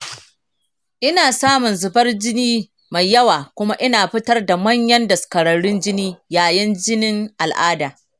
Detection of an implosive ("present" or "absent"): absent